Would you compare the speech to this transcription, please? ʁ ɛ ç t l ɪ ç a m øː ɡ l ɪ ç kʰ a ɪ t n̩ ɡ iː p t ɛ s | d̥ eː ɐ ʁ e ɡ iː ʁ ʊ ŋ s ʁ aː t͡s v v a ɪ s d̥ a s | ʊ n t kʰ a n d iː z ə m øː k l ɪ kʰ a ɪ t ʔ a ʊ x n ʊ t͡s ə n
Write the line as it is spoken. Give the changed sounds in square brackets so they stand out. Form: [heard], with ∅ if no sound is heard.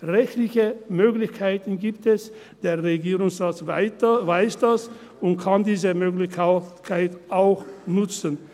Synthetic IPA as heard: ʁ ɛ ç t l ɪ ç [ə] m øː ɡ l ɪ ç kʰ a ɪ t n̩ ɡ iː p t ɛ s | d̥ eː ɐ ʁ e ɡ iː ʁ ʊ ŋ s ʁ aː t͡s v v a ɪ s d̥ a s | ʊ n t kʰ a n d iː z ə m øː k l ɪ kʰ a ɪ t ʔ a ʊ x n ʊ t͡s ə n